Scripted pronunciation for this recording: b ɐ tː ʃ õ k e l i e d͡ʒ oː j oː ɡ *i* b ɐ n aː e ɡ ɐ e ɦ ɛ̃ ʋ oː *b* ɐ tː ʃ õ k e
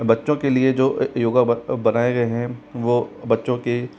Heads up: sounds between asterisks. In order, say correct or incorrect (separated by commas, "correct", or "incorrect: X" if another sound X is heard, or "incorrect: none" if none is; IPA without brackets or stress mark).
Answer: incorrect: a, correct